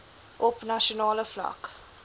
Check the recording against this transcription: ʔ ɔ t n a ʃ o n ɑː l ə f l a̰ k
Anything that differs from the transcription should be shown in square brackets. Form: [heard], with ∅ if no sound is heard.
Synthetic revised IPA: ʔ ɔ [p] n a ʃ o n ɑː l ə f l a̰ k